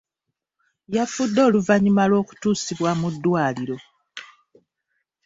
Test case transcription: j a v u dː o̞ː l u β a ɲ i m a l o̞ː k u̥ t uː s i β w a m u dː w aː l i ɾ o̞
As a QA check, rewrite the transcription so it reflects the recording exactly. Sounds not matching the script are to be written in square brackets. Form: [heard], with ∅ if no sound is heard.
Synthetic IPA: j a [f] u dː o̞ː l u [v] a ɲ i m a l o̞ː k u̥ t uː s i β w a m u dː w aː l i ɾ o̞